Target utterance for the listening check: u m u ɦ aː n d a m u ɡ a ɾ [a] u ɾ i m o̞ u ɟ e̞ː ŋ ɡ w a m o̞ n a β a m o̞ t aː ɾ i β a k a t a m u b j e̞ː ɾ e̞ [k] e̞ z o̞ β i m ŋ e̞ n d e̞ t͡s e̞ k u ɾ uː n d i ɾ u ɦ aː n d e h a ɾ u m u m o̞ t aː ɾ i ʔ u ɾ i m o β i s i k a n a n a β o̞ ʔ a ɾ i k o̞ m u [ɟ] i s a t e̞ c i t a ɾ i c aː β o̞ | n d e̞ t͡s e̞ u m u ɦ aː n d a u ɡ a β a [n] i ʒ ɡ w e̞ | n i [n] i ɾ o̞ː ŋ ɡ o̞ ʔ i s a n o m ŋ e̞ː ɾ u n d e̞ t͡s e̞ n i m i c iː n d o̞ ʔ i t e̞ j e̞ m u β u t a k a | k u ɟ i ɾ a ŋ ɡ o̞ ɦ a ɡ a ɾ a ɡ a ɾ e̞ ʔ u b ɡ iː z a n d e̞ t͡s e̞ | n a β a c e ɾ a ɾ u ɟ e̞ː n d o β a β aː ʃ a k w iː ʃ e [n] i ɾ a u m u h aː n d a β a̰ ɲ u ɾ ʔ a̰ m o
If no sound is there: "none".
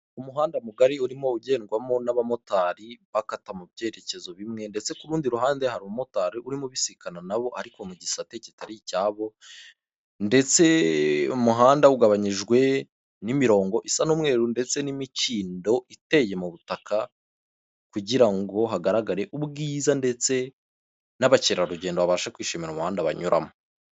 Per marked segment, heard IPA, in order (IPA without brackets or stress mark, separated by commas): i, c, ɟ, ɲ, m, m